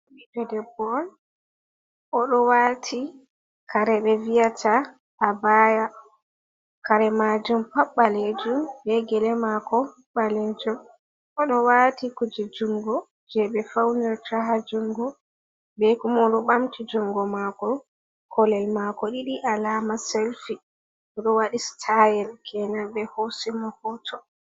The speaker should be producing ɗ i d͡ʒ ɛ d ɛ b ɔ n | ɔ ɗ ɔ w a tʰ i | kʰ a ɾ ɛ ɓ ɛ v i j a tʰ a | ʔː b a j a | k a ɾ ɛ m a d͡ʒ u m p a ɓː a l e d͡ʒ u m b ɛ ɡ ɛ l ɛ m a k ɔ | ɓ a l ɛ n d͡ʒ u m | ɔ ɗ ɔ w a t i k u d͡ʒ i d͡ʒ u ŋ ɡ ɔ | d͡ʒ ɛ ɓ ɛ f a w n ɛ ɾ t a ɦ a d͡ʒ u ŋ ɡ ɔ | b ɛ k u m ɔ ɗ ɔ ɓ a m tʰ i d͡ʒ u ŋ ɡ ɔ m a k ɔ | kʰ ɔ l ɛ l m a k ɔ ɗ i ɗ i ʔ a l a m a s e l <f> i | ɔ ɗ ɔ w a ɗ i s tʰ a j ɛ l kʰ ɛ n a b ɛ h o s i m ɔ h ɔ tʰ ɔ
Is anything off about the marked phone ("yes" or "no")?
no